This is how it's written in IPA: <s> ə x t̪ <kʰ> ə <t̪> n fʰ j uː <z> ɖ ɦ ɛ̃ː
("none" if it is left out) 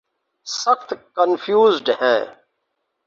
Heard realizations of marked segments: s, k, none, z

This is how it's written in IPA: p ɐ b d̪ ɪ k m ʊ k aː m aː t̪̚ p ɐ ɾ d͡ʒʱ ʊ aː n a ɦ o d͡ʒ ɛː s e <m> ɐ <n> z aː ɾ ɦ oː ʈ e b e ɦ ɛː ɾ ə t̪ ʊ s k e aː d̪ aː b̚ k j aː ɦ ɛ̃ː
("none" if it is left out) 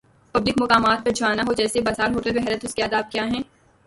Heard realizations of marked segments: b, none

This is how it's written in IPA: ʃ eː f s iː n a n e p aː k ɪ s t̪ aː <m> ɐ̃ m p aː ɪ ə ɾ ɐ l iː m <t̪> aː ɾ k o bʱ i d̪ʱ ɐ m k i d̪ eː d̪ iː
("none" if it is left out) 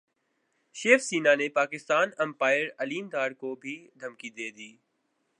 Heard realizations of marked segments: n, d̪

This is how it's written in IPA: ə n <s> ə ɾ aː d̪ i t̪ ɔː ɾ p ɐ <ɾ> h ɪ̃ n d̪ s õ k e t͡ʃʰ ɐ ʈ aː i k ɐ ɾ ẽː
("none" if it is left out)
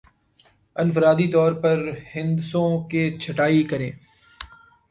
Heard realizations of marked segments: f, ɾ

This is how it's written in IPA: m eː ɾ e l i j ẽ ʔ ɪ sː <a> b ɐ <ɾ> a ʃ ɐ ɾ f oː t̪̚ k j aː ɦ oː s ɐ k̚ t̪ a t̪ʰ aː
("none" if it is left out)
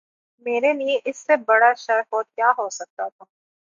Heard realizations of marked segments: e, ɽ

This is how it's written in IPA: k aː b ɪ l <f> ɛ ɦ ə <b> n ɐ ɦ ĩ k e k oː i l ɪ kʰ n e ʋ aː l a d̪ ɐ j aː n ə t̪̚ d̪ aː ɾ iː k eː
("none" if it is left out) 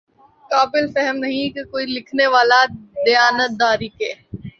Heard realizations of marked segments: f, m

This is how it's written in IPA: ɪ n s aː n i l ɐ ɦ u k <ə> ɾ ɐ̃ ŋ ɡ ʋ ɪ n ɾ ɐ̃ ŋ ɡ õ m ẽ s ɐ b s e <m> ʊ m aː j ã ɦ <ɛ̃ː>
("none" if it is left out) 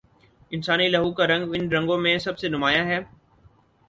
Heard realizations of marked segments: a, n, ɛː

